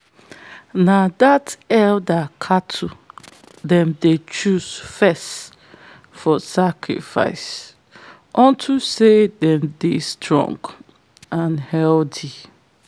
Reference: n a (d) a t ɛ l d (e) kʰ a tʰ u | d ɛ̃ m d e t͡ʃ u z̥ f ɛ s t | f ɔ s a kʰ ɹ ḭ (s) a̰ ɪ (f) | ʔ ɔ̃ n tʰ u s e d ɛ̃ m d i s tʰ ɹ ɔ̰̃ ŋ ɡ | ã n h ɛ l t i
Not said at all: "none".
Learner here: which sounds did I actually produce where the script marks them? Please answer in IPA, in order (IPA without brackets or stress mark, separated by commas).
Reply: d, a, f, s